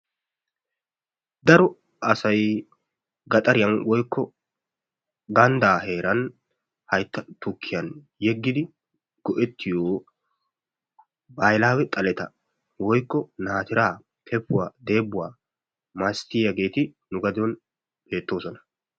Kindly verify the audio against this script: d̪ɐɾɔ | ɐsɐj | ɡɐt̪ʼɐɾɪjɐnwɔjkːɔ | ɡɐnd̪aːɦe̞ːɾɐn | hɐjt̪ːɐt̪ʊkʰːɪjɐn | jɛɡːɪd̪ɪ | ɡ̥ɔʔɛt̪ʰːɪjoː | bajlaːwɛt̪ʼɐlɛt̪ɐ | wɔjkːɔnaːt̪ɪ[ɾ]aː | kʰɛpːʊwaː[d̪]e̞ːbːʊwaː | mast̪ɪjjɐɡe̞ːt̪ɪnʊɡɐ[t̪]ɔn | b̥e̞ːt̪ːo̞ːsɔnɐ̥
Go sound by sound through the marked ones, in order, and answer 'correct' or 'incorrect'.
correct, correct, incorrect: d̪

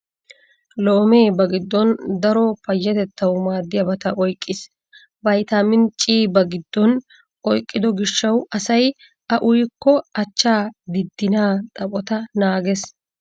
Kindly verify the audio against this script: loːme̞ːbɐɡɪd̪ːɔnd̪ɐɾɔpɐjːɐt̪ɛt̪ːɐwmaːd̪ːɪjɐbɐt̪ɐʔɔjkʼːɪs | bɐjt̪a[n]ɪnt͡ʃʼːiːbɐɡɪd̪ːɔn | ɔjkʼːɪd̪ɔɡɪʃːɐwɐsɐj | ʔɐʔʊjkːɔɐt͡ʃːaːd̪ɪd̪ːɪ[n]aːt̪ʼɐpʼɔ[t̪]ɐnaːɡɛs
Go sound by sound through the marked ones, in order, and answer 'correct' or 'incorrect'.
incorrect: m, correct, correct

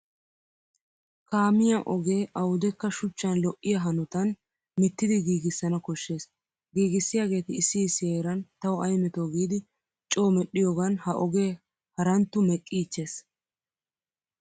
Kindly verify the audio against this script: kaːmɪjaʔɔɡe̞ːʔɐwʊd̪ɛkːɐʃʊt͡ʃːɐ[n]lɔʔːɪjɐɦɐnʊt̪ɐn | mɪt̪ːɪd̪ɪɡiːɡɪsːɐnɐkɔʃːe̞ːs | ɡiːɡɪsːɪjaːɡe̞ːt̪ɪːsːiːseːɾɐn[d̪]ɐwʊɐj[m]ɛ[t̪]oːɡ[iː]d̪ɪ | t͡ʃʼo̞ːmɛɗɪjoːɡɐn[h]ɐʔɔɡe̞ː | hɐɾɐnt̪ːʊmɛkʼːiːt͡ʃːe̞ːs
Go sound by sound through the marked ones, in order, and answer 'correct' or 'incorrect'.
correct, incorrect: t̪, correct, correct, correct, correct

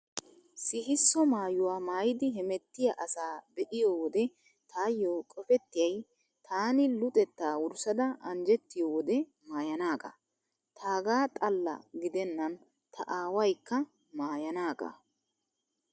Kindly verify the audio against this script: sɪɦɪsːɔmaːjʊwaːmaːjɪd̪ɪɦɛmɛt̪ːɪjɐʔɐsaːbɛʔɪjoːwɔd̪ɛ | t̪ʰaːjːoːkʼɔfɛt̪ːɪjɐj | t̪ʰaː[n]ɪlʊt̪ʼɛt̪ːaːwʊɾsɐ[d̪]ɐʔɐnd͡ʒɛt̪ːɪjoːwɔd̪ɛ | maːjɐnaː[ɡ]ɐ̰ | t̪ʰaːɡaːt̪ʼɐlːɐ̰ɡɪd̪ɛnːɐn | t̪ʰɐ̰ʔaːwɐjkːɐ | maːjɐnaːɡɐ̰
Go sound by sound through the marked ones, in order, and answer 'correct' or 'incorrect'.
correct, correct, correct

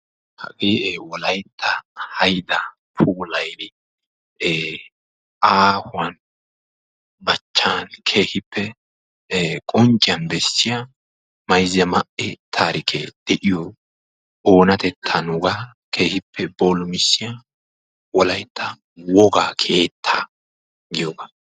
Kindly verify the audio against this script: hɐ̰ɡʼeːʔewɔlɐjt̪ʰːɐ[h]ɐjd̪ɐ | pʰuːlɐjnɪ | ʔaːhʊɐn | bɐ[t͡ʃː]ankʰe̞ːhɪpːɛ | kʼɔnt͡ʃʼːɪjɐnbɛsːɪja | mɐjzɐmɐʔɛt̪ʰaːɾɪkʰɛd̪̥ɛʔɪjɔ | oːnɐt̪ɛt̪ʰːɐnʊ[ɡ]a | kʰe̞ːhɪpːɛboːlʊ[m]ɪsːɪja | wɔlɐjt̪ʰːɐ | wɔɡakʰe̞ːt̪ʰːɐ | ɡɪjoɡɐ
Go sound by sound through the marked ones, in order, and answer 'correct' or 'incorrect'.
correct, correct, correct, correct

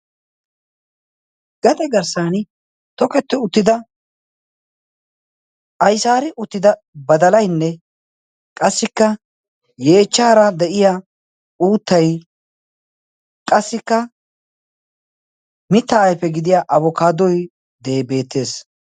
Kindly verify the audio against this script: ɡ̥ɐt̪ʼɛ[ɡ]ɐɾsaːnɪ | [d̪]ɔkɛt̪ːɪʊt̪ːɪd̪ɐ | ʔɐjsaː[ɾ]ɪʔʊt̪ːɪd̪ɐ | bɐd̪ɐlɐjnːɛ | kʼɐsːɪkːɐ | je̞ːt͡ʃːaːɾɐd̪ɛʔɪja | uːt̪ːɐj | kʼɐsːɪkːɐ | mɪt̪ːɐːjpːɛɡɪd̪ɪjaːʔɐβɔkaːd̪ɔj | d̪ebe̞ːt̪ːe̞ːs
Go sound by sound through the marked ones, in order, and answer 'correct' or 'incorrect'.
correct, incorrect: t̪, correct

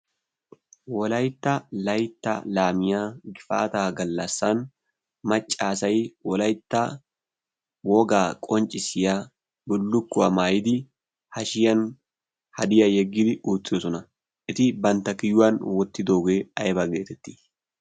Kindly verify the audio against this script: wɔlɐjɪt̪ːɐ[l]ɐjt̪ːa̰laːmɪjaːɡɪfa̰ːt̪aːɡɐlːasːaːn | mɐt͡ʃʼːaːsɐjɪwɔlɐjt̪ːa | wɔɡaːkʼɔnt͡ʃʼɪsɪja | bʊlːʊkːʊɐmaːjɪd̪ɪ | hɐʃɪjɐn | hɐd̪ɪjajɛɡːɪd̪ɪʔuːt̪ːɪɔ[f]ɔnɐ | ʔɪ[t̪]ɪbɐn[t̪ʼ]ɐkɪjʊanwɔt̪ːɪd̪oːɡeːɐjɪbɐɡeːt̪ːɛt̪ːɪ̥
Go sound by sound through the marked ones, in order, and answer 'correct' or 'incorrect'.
correct, incorrect: s, correct, incorrect: t̪

